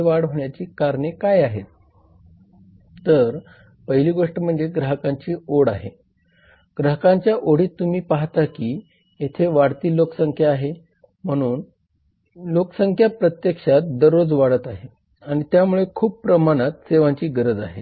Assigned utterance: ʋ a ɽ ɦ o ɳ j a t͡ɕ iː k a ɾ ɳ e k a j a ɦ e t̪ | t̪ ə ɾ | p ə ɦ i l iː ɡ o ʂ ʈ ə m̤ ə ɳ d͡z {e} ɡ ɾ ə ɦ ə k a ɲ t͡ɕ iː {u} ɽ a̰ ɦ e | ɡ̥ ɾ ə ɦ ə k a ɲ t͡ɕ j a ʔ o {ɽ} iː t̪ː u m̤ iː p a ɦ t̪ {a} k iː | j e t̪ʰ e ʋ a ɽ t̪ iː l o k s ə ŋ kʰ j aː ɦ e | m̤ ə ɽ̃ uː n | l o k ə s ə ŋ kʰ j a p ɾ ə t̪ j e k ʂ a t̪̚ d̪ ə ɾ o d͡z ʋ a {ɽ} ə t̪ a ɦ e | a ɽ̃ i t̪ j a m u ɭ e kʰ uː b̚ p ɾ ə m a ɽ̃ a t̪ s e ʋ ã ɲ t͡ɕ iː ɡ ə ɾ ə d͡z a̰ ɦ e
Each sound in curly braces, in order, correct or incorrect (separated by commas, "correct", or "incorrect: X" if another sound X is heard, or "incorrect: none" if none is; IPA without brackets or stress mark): correct, incorrect: o, correct, correct, correct